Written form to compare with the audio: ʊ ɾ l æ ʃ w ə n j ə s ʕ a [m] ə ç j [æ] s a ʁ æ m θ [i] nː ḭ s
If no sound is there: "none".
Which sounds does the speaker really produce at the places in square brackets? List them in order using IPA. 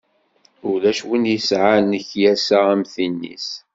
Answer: n, æ, i

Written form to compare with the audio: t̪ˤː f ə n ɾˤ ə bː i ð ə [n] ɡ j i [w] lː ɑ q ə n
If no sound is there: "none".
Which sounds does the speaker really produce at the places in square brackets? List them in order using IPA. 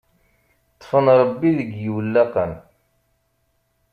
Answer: none, w

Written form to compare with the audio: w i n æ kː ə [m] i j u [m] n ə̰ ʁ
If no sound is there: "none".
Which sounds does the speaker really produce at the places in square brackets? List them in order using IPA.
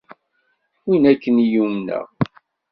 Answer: n, m

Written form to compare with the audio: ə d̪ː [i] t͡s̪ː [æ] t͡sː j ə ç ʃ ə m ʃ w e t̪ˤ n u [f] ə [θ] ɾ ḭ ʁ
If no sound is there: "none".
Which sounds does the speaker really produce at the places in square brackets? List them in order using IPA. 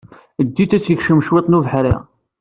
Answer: i, æ, v, ħ

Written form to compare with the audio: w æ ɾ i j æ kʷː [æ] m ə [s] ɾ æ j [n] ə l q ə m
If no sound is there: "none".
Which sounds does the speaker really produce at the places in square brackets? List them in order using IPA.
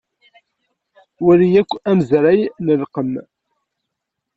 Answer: æ, z, n

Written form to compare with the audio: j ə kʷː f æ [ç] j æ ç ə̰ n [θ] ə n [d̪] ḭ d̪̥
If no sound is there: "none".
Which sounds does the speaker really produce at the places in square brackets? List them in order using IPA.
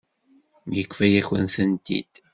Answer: none, θ, t̪

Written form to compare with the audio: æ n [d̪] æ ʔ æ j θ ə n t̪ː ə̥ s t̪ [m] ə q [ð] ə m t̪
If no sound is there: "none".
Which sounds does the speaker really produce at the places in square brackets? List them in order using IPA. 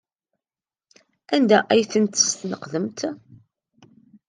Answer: d̪, n, ð

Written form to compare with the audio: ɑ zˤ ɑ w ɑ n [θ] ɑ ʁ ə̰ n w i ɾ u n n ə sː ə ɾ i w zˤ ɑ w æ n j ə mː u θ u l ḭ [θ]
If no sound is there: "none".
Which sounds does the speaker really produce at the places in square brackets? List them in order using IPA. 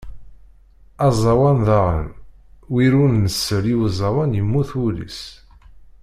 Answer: ð, s

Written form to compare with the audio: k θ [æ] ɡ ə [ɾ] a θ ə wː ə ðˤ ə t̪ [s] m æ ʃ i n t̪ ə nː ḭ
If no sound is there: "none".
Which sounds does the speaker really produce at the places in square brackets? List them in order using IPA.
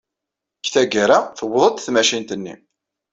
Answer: æ, ɾ, θ

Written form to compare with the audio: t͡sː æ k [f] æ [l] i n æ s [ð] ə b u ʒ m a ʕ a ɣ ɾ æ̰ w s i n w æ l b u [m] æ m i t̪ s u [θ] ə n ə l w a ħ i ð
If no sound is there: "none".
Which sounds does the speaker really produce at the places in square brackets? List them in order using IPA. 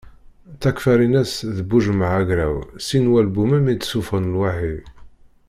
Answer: f, ɾ, ð, m, f

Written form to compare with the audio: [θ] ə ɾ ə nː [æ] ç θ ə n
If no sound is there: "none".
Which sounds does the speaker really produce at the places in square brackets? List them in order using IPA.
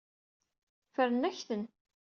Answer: f, æ

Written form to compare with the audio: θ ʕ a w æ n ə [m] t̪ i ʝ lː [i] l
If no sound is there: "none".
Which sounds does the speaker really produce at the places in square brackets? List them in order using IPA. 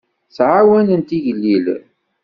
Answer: n, i

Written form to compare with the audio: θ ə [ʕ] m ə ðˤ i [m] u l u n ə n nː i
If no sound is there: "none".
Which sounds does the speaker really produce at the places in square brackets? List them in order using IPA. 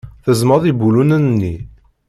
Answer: z, b

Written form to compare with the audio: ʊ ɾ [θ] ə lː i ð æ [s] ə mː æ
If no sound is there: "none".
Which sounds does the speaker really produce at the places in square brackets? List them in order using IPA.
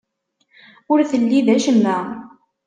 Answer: θ, ʃ

